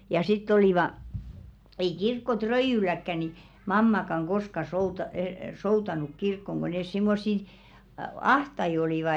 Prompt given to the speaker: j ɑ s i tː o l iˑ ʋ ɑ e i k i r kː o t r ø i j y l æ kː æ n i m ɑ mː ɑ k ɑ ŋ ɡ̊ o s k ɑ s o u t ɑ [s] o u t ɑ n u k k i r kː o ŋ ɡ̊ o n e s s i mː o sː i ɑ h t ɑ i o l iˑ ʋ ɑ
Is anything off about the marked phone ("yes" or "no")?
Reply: no